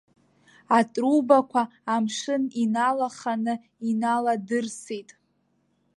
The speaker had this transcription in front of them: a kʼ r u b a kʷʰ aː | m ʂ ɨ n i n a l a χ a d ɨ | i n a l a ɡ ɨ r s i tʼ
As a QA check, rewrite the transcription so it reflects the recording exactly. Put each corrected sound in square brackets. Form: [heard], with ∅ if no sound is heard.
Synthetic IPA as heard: a [tʼ] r u b a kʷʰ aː | m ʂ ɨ n i n a l a χ a [n] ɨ | i n a l a [d] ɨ r s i tʼ